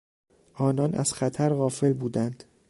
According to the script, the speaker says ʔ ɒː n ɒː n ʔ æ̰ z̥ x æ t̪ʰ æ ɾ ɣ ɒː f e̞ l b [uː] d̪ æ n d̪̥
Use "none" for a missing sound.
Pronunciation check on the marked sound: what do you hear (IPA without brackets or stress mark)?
uː